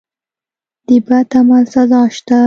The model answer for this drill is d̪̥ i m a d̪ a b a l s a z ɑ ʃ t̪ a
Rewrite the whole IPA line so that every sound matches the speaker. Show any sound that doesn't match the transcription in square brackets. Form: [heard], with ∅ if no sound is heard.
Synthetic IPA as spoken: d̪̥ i [b] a [t̪] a [m] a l s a z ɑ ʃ t̪ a